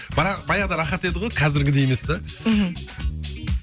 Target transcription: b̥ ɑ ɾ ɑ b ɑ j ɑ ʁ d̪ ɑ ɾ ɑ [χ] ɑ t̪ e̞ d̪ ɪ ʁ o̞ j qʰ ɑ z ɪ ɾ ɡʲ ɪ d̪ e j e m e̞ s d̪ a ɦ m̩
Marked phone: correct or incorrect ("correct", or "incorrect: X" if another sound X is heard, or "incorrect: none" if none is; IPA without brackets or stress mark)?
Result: correct